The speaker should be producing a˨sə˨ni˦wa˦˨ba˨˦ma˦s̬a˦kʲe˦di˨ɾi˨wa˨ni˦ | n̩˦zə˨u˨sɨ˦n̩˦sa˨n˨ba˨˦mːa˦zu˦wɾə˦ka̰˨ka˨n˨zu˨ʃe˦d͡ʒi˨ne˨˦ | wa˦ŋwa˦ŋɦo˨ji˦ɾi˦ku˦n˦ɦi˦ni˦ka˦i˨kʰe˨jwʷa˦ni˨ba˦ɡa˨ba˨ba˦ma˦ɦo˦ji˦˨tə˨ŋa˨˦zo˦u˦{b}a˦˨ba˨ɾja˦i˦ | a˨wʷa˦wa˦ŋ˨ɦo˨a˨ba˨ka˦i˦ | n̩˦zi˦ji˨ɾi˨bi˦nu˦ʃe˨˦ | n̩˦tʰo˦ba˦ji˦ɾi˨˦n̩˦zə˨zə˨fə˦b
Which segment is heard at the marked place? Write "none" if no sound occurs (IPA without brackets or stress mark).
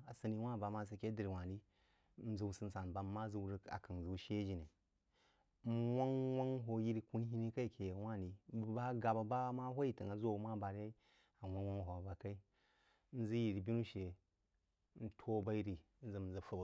m